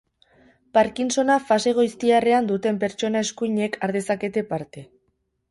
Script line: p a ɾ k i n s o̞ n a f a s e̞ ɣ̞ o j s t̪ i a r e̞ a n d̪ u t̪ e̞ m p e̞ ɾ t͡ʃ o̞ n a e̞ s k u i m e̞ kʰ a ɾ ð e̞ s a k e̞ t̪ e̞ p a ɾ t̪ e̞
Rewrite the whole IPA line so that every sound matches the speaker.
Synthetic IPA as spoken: p a ɾ k i n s o̞ n a f a s e̞ ɣ̞ o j s t̪ i a r e̞ a n d̪ u t̪ e̞ m p e̞ ɾ t͡ʃ o̞ n a e̞ s k u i ɲ e̞ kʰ a ɾ ð e̞ s a k e̞ t̪ e̞ p a ɾ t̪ e̞